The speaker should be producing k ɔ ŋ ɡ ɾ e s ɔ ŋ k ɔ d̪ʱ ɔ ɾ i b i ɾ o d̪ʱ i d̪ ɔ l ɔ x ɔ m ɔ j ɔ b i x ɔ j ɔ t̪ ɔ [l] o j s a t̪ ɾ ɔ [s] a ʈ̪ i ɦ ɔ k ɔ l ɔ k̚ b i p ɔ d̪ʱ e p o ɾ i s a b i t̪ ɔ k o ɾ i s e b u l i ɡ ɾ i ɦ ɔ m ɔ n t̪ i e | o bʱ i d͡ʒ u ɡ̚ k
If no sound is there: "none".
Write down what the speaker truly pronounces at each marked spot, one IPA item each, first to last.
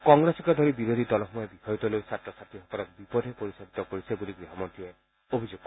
l, s

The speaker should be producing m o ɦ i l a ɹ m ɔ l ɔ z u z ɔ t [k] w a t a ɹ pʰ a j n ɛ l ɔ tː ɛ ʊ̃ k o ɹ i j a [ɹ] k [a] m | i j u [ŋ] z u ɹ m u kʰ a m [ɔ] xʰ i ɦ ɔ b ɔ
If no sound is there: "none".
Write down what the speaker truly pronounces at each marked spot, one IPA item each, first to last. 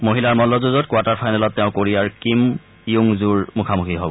k, ɹ, i, ŋ, u

